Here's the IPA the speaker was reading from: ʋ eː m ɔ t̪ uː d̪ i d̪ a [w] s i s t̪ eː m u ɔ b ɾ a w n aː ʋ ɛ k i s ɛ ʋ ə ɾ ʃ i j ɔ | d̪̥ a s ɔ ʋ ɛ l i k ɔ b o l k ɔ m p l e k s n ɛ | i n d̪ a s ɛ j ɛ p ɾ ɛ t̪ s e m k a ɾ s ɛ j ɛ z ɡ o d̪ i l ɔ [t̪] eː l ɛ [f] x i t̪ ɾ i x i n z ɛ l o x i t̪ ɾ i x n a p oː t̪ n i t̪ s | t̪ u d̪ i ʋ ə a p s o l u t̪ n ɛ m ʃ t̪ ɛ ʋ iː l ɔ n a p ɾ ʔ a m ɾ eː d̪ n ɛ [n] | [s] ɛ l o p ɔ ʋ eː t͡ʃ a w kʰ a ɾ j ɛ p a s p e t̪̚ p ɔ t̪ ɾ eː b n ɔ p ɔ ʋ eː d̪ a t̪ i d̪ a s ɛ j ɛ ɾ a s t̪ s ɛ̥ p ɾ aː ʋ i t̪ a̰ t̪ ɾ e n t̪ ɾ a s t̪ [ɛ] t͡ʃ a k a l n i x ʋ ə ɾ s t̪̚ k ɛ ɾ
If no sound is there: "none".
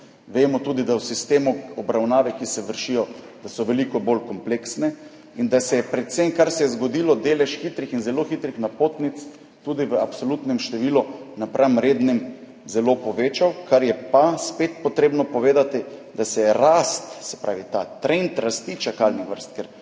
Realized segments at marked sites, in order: w, d̪, ʃ, m, z, i

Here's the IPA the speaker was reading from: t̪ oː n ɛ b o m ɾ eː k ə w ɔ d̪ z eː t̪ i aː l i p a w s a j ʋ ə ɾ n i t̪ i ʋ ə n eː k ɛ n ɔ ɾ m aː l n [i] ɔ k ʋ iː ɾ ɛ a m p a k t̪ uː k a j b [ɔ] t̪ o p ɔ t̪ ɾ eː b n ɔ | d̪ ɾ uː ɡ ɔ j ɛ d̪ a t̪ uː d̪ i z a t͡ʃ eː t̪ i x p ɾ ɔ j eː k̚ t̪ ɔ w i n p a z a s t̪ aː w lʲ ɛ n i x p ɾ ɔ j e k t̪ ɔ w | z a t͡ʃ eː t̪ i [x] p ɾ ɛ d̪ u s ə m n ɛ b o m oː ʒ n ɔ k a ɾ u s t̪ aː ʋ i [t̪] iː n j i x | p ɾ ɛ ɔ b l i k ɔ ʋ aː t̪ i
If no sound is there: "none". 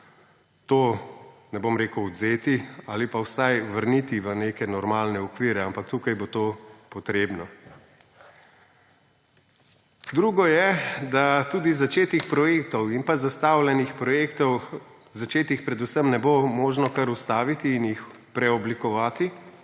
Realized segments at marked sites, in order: ɛ, o, x, t̪

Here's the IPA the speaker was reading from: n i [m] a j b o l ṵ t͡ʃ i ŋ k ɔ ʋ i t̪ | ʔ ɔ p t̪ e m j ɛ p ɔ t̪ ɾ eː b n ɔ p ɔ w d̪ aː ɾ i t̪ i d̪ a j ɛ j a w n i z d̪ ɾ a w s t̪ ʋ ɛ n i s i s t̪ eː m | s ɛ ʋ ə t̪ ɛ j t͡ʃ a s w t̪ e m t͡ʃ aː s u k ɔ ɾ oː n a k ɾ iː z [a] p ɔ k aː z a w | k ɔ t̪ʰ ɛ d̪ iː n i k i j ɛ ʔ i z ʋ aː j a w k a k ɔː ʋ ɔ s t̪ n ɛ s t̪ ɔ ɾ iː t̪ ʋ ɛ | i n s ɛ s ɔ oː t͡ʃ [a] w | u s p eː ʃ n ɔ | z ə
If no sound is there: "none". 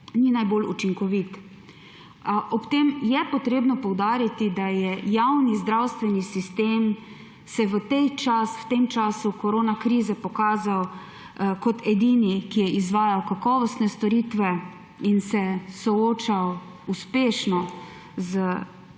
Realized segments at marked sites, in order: n, ɛ, a

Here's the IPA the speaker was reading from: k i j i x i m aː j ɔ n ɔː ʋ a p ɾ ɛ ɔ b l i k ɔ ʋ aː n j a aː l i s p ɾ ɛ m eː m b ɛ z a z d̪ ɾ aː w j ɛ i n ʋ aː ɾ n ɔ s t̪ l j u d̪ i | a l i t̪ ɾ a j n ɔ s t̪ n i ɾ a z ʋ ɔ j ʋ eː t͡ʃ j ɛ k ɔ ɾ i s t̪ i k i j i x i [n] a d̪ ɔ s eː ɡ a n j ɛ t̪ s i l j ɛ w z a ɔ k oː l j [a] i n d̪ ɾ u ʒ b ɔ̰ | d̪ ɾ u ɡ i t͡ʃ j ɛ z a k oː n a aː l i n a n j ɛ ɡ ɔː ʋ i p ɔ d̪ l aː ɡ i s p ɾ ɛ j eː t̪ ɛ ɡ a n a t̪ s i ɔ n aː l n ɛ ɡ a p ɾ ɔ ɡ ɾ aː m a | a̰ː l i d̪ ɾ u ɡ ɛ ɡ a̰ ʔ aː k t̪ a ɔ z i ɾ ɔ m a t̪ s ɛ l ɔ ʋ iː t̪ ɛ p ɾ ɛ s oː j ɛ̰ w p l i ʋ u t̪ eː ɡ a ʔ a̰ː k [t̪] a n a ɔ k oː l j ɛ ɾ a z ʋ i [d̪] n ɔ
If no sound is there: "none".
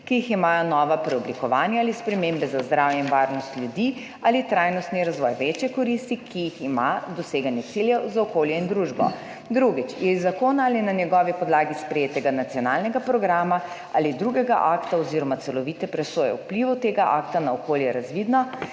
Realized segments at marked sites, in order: m, ɛ, t̪, d̪

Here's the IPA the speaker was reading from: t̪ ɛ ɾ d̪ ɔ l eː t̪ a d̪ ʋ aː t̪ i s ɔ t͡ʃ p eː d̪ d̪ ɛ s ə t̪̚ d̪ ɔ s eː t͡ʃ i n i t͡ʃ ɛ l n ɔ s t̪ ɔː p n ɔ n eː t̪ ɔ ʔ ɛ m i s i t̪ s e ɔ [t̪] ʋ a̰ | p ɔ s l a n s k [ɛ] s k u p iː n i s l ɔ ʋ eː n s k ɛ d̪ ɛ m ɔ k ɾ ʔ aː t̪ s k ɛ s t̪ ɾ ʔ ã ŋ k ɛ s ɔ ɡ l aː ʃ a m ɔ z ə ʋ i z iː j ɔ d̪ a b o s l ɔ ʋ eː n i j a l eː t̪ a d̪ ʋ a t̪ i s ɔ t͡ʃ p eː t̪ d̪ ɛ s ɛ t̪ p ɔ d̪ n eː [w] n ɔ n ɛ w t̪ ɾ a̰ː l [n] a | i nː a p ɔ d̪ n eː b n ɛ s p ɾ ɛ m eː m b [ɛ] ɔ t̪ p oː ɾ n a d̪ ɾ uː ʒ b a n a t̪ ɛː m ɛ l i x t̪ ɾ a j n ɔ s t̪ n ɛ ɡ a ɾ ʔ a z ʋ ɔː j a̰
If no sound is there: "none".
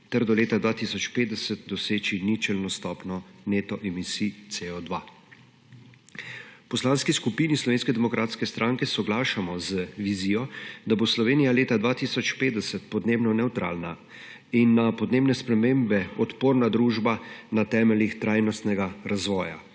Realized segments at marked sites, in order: d̪, i, b, n, ɛ

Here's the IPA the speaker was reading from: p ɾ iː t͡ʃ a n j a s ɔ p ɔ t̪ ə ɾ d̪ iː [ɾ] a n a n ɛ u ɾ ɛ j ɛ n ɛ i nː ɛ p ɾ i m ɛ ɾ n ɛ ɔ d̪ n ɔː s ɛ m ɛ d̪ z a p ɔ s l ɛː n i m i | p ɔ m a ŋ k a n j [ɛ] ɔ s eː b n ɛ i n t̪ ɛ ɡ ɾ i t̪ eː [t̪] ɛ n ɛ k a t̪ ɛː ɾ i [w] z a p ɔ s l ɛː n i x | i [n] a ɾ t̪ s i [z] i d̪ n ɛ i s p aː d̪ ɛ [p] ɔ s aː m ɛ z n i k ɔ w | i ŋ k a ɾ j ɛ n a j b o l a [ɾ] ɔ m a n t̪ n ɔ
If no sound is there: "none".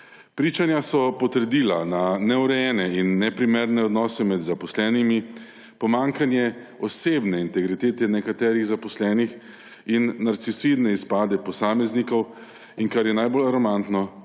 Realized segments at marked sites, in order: l, ɛ, t̪, ɣ, nː, s, p, ɾ

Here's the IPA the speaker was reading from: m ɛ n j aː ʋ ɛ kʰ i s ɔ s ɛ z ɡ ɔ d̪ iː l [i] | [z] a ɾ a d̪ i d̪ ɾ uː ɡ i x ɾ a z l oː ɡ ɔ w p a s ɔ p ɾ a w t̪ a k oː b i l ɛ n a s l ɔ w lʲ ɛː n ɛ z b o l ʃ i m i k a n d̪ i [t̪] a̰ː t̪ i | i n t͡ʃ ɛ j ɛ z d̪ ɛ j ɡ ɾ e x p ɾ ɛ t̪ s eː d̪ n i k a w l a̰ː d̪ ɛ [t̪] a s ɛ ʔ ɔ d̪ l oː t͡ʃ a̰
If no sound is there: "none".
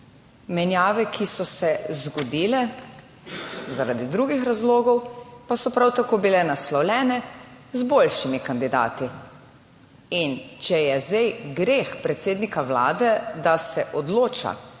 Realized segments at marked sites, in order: ɛ, z, d̪, d̪

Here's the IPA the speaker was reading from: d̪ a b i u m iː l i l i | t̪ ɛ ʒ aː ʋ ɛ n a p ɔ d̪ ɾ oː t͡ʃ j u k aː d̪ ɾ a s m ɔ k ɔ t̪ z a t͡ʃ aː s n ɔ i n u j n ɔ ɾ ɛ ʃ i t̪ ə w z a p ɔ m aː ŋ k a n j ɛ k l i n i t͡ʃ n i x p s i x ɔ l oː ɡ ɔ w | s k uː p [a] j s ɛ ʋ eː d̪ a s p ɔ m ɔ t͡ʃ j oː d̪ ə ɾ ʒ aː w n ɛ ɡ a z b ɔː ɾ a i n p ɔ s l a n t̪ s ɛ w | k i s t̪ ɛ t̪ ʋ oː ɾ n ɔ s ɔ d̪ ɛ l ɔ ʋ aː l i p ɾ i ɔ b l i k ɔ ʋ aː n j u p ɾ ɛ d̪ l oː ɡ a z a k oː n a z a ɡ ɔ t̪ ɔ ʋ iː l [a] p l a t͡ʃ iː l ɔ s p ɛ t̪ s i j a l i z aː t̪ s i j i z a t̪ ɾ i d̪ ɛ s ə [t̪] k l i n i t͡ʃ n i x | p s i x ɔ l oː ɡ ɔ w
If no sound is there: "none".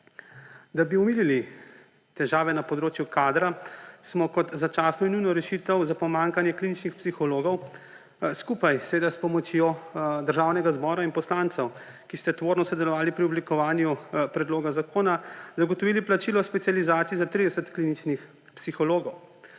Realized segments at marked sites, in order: a, i, t̪

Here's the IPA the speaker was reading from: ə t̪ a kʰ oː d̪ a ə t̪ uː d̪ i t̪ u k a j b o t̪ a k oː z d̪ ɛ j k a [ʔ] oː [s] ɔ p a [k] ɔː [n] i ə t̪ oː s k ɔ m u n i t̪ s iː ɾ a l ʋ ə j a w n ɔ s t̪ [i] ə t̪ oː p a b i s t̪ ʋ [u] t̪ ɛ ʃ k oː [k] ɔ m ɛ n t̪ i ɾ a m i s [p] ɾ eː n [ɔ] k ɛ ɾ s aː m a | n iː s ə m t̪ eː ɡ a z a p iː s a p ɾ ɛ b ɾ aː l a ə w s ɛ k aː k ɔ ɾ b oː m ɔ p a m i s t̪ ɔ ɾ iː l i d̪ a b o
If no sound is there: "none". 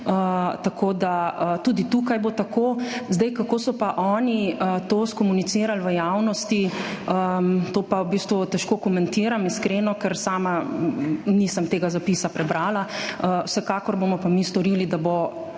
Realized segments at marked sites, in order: k, s, ʔ, n, i, u, k, k, ɔ

